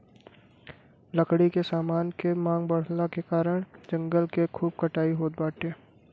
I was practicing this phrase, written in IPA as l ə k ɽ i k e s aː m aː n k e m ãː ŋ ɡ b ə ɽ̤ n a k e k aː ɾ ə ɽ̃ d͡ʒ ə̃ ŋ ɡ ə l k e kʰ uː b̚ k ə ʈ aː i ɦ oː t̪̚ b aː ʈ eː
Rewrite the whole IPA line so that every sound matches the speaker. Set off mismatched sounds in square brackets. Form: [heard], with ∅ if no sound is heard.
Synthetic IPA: l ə k ɽ i k e s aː m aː n k e m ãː ŋ ɡ b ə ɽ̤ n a k e k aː ɾ ə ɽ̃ d͡ʒ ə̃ ŋ ɡ ə l k e kʰ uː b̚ k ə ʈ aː i ɦ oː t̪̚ b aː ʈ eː